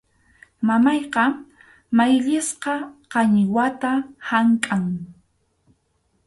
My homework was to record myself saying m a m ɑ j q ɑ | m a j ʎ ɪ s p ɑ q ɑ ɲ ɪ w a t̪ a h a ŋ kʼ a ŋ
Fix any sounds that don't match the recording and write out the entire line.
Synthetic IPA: m a m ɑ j q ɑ | m a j ʎ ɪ s q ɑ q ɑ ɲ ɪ w a t̪ a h a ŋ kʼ a ŋ